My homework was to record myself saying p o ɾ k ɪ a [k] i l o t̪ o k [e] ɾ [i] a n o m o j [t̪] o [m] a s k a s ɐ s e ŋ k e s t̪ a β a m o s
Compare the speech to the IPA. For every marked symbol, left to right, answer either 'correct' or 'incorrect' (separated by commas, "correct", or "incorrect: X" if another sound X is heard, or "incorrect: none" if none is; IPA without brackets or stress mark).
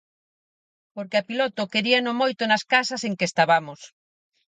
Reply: incorrect: p, correct, correct, correct, incorrect: n